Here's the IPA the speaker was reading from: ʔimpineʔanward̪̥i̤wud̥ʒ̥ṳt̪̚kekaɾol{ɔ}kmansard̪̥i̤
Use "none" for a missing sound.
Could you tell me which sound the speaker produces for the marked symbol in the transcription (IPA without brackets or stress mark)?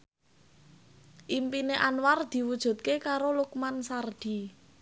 u